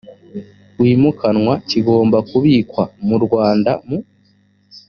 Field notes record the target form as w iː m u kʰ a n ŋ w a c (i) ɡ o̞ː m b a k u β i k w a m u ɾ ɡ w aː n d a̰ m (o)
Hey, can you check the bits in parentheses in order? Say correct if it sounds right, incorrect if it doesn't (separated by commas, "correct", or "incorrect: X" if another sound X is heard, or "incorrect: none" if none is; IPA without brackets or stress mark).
correct, incorrect: u